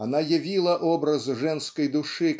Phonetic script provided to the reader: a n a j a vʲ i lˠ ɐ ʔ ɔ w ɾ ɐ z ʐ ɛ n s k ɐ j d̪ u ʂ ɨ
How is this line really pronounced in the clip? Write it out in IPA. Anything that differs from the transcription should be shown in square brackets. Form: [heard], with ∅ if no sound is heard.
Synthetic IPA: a n a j a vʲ i lˠ ɐ ʔ ɔ [b] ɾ ɐ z ʐ ɛ n s k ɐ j d̪ u ʂ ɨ

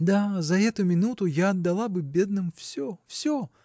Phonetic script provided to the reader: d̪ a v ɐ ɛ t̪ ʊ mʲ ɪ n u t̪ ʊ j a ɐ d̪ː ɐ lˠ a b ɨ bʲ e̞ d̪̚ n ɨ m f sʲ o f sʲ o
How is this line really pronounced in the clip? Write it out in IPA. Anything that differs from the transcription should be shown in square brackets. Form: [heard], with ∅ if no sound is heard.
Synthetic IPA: d̪ a [z] ɐ ɛ t̪ ʊ mʲ ɪ n u t̪ ʊ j a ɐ d̪ː ɐ lˠ a b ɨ bʲ e̞ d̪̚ n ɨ m f sʲ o f sʲ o

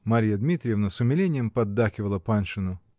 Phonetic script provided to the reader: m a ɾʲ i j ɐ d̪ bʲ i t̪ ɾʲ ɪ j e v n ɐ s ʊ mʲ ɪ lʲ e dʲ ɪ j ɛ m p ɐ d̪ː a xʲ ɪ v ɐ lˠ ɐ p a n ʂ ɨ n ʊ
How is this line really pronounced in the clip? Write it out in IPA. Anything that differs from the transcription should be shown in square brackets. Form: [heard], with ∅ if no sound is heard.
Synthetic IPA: m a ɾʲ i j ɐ d̪ [mʲ] i t̪ ɾʲ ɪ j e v n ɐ s ʊ mʲ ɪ lʲ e [nʲ] ɪ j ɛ m p ɐ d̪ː a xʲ ɪ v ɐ lˠ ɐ p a n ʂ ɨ n ʊ

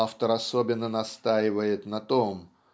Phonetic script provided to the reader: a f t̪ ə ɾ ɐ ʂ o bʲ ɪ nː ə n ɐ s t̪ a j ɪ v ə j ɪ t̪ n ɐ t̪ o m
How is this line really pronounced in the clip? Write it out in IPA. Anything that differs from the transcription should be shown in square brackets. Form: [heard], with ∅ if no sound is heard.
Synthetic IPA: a f t̪ ə ɾ ɐ [s] o bʲ ɪ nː ə n ɐ s t̪ a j ɪ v ə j ɪ t̪ n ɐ t̪ o m

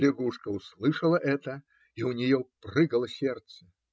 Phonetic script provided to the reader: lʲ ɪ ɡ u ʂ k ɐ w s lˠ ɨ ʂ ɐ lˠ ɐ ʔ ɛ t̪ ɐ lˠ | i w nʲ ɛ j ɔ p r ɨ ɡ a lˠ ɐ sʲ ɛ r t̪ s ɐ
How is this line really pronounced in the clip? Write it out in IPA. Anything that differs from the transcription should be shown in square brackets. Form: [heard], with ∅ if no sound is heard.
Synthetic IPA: lʲ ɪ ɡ u ʂ k ɐ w s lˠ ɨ ʂ ɐ lˠ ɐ ʔ ɛ t̪ ɐ [∅] | i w nʲ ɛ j ɔ p r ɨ ɡ [ɐ] lˠ ɐ sʲ ɛ r t̪ s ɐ

